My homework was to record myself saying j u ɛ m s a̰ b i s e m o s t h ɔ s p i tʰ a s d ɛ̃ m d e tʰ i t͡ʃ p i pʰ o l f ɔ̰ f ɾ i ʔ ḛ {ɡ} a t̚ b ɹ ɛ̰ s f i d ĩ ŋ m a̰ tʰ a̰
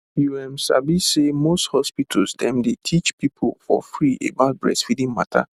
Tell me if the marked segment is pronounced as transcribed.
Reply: no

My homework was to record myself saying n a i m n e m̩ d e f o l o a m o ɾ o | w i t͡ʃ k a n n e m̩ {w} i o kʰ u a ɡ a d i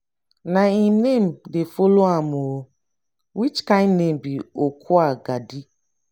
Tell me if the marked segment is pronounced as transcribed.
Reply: no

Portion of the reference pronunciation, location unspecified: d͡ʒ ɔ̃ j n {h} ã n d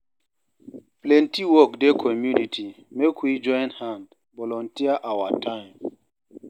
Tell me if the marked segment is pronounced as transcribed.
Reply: yes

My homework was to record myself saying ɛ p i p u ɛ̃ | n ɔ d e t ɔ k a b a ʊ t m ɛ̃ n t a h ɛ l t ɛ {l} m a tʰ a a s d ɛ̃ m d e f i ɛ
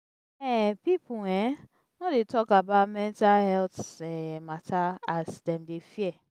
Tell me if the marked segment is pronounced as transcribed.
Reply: no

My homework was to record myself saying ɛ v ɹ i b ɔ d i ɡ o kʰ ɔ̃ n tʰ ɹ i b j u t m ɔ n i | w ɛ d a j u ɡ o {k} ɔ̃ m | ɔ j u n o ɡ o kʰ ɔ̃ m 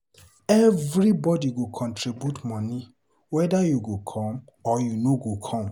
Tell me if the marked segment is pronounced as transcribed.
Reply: no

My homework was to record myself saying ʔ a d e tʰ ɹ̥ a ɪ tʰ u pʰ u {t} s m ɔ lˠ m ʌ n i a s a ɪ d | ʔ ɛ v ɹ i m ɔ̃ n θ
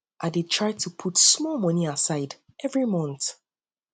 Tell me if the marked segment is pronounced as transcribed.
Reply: yes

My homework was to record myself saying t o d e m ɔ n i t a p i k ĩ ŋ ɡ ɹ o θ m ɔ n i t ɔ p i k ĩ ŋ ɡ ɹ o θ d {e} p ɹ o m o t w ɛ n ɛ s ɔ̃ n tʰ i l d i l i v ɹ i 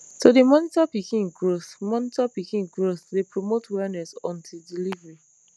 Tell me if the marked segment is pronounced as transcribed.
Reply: yes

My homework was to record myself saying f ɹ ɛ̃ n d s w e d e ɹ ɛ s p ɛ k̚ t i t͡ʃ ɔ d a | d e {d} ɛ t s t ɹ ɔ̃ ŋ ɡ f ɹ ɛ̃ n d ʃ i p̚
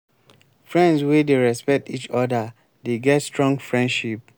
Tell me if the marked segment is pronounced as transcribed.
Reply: no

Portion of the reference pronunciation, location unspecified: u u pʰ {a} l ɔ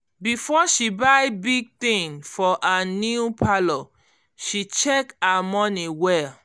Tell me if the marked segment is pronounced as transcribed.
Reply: yes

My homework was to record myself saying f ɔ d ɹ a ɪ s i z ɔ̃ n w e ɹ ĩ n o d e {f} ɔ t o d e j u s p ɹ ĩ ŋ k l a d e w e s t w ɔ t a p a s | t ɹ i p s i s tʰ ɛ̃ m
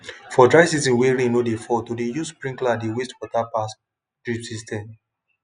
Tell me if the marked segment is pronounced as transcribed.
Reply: yes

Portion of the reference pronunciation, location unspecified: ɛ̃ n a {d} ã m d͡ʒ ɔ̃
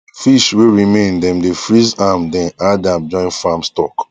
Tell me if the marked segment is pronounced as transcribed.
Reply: yes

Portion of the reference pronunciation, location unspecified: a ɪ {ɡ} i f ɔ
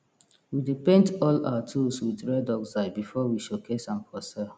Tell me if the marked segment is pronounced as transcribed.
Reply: no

